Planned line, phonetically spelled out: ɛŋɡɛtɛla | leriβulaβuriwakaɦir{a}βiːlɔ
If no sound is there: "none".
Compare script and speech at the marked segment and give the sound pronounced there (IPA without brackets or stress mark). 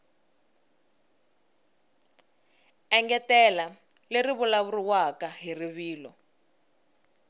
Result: i